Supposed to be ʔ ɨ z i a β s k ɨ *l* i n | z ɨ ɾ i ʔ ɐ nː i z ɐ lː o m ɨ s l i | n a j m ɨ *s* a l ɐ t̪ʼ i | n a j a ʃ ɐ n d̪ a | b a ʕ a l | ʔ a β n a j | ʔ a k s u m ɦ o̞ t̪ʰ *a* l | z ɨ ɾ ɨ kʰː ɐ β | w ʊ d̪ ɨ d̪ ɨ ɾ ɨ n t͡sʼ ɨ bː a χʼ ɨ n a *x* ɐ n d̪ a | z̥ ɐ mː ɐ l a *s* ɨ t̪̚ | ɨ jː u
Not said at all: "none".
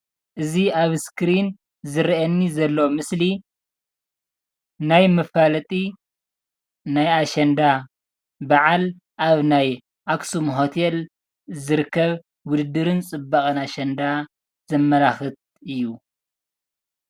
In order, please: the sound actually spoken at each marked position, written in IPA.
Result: ɾ, f, e, ʃ, x

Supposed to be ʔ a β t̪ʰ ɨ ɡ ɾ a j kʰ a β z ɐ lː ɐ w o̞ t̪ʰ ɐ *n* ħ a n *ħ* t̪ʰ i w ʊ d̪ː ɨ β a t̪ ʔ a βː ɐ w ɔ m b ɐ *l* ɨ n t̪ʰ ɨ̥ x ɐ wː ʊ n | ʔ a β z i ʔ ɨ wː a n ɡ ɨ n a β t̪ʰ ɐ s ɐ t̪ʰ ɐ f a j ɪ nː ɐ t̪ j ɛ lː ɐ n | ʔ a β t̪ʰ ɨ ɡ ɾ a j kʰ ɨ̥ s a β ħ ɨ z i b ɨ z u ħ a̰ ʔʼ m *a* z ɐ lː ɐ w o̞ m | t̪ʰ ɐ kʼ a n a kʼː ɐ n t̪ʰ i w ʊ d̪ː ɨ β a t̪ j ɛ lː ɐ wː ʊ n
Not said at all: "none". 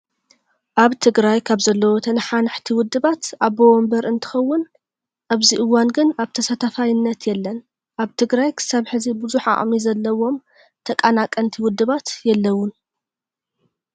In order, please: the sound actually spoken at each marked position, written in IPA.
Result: n, ħ, ɾ, i

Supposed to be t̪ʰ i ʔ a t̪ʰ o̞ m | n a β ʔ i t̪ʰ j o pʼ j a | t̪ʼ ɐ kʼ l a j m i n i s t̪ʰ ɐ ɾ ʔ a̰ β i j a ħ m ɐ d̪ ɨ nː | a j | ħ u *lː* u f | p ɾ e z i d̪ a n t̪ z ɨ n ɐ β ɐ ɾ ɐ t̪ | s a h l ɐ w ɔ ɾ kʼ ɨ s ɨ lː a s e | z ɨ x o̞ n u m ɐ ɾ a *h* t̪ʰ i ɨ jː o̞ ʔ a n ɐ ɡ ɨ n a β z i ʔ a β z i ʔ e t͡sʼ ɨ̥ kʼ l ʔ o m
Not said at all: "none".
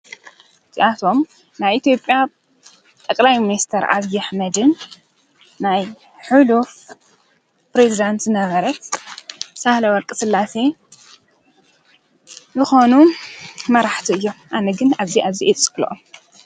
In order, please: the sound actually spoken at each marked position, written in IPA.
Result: l, ħ

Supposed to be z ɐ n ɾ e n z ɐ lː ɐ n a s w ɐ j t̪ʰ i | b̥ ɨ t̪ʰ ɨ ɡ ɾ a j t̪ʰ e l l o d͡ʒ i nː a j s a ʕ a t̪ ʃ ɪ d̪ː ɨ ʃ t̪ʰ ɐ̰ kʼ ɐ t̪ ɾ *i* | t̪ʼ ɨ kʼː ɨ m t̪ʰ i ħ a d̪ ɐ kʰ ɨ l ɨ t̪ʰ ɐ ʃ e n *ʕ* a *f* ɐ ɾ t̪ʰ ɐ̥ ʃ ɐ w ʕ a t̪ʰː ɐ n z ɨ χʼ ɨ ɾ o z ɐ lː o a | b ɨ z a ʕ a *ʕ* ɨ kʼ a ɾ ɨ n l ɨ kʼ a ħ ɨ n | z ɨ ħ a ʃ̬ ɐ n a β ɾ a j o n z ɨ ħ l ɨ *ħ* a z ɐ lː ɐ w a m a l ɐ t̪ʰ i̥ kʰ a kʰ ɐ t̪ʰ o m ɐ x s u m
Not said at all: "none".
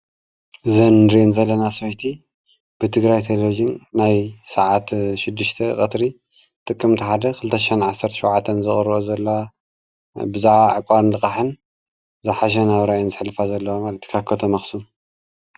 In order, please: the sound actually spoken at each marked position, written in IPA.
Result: i, ʕ, s, ʕ, f

